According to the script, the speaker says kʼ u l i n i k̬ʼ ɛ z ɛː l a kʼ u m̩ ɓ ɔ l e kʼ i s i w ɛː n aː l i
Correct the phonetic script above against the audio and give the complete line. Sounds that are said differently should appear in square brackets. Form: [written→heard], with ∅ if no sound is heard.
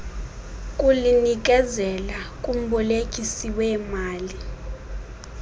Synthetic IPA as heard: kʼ u l i n i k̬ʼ ɛ z [ɛː→ɛ] l a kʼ u m̩ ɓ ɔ l e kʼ i s i w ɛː [n→m] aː l i